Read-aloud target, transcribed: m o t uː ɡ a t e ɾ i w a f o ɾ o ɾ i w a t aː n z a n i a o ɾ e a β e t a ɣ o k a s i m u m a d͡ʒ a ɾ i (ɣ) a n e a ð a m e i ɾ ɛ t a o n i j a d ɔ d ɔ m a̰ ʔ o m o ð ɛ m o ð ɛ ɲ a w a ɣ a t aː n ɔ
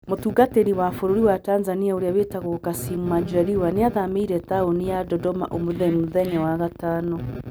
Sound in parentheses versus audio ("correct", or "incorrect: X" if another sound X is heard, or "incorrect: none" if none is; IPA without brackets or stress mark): incorrect: w